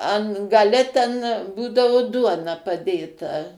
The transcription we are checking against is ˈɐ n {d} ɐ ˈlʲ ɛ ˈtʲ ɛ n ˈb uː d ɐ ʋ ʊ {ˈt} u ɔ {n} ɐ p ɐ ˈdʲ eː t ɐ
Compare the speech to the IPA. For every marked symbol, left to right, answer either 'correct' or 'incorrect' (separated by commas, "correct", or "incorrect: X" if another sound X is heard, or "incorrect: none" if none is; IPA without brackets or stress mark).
incorrect: ɡ, incorrect: d, correct